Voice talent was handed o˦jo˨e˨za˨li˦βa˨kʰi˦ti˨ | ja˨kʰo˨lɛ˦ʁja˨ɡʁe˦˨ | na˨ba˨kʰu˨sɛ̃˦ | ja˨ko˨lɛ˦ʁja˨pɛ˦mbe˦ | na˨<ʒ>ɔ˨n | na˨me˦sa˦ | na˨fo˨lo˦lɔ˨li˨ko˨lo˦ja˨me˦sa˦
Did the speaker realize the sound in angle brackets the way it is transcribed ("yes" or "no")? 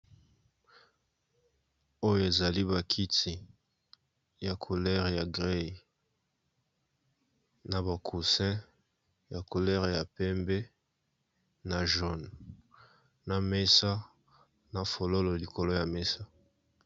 yes